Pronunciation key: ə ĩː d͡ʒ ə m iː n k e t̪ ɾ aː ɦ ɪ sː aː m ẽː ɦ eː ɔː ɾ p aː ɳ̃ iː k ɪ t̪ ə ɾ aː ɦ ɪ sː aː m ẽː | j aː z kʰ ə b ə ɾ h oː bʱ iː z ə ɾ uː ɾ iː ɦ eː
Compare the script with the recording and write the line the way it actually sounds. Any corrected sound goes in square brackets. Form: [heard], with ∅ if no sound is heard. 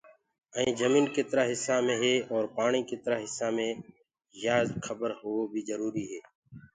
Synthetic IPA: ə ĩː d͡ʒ ə m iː n k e t̪ ɾ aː ɦ ɪ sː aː m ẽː ɦ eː ɔː ɾ p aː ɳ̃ iː k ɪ t̪ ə ɾ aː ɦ ɪ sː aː m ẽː | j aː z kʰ ə b ə ɾ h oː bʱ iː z ə ɾ uː ɾ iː ɦ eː